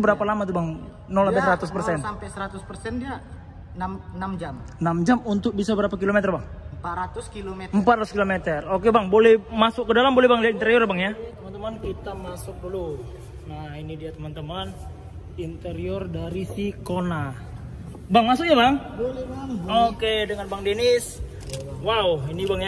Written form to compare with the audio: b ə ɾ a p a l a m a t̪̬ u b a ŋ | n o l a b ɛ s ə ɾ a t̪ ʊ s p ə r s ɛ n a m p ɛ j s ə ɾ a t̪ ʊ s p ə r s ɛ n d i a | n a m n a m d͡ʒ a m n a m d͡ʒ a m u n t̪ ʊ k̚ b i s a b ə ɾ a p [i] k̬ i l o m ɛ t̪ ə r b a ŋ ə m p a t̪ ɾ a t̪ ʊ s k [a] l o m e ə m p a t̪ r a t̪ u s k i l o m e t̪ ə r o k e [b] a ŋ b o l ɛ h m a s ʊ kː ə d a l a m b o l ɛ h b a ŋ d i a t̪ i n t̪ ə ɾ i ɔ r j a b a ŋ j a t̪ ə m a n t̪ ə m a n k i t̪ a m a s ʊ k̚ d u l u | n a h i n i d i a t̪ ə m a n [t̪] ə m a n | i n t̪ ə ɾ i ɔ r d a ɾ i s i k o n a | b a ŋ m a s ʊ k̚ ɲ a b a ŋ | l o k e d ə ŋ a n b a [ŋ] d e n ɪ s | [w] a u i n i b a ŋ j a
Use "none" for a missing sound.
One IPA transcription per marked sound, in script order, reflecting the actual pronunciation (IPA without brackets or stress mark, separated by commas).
a, i, b, t̪, ŋ, w